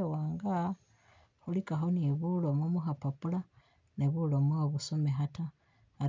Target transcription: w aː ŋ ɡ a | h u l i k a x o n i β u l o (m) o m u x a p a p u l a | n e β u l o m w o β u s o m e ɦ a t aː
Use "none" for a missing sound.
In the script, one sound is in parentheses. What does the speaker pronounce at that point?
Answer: m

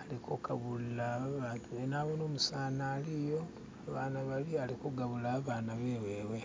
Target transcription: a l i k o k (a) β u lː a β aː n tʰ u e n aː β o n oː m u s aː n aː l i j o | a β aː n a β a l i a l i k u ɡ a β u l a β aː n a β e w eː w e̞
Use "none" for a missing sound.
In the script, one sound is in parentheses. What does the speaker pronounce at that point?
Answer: a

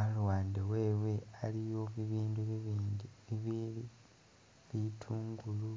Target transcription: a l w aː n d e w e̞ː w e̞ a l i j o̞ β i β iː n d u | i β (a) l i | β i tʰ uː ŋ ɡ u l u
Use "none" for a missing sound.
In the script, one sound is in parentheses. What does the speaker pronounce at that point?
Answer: i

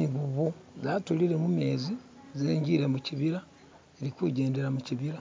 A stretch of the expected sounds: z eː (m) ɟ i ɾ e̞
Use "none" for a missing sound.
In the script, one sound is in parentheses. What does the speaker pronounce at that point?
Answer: ɲ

